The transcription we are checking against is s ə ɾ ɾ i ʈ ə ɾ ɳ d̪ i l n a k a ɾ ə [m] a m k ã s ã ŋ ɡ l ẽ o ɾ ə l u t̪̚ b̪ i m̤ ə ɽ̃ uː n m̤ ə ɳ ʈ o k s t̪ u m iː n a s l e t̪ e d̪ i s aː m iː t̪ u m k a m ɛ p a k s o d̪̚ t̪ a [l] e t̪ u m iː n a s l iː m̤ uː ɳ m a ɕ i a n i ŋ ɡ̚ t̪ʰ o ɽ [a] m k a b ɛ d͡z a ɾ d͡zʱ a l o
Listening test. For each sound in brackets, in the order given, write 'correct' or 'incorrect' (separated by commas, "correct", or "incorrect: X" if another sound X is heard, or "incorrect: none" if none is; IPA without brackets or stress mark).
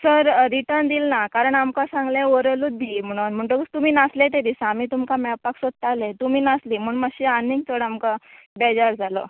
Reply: incorrect: ɳ, correct, correct